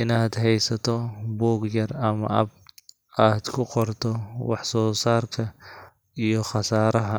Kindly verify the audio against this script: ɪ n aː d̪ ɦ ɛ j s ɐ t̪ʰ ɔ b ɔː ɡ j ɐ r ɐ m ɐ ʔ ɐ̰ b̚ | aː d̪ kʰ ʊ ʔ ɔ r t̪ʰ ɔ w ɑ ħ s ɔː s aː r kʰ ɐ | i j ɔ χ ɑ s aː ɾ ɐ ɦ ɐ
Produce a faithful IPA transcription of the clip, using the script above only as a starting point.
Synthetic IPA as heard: ɪ n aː d̪ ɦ ɛ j s ɐ t̪ʰ ɔ b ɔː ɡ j ɐ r ɐ m ɐ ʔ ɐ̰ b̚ | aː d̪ kʰ ʊ q ɔ r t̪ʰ ɔ w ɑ ħ s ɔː s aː r kʰ ɐ | i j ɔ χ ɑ s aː ɾ ɐ ɦ ɐ